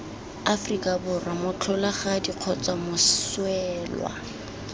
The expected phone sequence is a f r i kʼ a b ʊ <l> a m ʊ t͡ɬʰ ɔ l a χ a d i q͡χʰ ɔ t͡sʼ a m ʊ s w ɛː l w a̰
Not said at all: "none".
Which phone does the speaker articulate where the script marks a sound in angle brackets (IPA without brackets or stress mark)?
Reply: r